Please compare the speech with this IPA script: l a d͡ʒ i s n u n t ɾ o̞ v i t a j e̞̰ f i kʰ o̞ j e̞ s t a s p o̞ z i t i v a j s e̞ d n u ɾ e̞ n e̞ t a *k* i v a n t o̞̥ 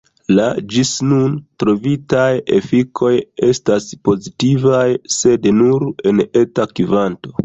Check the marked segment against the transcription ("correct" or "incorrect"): correct